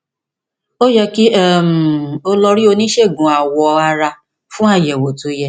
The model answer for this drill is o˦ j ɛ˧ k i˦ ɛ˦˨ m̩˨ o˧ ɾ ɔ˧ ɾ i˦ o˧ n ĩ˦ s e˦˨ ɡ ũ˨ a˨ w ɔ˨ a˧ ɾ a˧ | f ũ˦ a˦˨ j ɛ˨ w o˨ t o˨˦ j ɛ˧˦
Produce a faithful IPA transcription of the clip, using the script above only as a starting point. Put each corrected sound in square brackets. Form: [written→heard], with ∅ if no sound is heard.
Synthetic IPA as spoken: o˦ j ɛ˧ k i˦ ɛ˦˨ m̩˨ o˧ [ɾ→l] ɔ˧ ɾ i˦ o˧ n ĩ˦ [s→ʃ] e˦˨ ɡ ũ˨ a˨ w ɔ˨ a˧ ɾ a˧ | f ũ˦ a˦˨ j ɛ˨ w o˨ t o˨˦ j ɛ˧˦